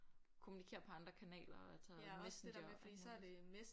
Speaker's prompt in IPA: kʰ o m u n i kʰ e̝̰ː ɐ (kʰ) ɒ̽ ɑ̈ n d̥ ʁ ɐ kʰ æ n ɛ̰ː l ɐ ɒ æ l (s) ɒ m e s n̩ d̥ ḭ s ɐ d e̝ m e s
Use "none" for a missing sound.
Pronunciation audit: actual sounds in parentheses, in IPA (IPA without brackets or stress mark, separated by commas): pʰ, s